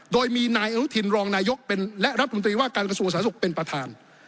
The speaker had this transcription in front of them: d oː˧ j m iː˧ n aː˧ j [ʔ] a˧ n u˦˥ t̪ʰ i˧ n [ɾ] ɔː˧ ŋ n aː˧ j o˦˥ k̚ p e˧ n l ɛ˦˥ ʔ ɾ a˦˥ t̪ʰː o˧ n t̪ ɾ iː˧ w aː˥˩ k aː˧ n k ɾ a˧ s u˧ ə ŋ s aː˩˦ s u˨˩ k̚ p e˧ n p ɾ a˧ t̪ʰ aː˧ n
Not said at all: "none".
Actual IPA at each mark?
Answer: ʔ, ɾ

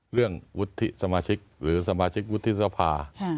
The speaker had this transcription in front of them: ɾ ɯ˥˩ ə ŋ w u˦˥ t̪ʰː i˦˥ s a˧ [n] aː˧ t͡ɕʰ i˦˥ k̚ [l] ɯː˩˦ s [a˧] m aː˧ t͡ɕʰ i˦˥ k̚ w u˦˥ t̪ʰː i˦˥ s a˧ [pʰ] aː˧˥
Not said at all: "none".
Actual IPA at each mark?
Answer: m, ɾ, a˧, pʰ

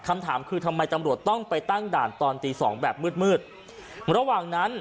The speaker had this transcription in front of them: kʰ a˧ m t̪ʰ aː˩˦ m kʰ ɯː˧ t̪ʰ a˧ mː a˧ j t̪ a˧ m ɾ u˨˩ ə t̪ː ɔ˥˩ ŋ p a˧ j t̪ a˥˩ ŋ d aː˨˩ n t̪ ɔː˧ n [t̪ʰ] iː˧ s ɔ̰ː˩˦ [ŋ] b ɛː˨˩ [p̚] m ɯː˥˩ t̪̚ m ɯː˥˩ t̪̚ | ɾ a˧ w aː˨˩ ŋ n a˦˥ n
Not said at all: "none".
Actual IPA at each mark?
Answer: t̪, ŋ, p̚

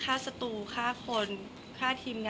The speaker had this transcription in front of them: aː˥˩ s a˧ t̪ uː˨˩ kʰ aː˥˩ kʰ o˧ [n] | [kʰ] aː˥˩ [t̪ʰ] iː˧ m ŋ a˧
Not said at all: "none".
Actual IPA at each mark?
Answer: n, kʰ, t̪ʰ

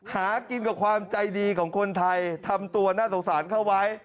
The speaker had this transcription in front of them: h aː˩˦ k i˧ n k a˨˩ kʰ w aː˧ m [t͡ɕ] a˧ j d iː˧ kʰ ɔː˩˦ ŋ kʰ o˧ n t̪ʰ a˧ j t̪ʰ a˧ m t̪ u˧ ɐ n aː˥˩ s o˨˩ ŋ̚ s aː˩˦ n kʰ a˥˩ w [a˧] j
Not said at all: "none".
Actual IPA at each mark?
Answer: t͡ɕ, a˦˥

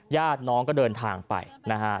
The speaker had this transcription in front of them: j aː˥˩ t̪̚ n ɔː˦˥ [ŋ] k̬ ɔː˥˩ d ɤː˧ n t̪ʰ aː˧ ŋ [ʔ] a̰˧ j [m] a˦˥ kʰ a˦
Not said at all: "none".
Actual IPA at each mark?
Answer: ŋ, p, n

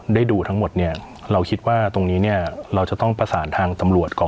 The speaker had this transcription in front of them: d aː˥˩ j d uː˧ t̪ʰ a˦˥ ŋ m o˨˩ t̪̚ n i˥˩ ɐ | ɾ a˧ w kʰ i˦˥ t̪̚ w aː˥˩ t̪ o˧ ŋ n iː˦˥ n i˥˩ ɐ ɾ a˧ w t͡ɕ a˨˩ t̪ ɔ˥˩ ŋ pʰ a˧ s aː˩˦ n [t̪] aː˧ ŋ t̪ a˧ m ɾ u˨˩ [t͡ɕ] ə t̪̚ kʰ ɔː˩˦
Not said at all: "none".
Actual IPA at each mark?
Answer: t̪ʰ, none

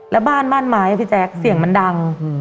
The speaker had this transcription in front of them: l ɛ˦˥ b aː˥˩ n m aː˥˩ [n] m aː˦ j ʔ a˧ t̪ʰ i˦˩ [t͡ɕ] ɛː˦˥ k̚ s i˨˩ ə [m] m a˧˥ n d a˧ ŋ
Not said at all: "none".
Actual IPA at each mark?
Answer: n, t͡ɕ, ŋ

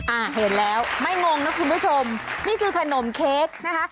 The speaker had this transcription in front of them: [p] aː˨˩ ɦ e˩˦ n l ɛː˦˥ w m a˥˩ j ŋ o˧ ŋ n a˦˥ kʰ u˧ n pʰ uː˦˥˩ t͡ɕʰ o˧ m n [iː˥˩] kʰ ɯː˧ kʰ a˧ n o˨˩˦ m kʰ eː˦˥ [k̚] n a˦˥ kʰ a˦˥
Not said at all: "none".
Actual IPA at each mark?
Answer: ʔ, iː˥˩, k̚

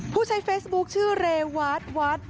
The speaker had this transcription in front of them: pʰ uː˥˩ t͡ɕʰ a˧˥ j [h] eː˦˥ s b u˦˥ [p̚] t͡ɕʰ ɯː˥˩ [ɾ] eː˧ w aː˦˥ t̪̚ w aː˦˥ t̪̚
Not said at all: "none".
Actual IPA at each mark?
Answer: f, k̚, ɾ

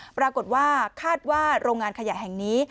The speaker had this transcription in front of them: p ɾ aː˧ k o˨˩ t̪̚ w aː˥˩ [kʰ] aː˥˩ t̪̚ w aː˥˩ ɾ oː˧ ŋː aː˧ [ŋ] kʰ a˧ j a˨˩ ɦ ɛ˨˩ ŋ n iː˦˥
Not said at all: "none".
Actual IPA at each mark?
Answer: kʰ, n

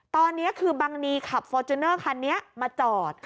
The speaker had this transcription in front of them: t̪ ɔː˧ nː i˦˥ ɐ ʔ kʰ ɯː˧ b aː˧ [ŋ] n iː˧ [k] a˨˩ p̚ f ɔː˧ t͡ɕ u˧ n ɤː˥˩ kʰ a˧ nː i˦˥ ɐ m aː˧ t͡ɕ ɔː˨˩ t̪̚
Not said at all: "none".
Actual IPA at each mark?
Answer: ŋ, kʰ

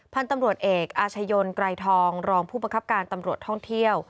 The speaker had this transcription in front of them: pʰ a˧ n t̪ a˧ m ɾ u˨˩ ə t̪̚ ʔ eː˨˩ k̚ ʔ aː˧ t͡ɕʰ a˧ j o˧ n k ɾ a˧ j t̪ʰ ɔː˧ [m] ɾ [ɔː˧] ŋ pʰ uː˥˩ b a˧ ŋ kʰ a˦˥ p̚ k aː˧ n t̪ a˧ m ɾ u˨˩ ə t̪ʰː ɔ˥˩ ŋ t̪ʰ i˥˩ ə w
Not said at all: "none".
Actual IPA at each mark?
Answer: ŋ, ɔː˧

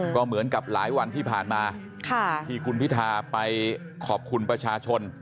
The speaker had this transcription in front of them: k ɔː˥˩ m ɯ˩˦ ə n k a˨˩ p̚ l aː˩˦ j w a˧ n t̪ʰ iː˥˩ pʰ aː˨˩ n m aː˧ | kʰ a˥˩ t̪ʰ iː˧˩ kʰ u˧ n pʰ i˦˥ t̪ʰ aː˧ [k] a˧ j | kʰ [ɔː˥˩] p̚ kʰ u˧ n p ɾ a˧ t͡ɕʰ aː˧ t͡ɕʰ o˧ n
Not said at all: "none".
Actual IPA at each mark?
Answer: p, ɔː˨˩

